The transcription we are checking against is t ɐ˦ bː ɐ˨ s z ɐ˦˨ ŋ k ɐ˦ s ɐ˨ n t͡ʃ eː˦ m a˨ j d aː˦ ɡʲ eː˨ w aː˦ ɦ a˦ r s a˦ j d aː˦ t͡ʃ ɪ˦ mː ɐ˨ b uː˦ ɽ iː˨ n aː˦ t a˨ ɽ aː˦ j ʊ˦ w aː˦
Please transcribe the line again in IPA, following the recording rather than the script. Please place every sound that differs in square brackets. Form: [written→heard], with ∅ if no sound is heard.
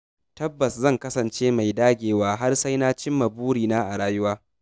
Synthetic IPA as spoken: t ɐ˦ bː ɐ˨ s z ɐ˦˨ ŋ k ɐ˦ s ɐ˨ n t͡ʃ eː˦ m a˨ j d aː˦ ɡʲ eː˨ w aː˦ ɦ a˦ r s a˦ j [d→n] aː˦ t͡ʃ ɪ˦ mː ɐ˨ b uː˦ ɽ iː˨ n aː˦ [t→ʔ] a˨ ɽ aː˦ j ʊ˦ w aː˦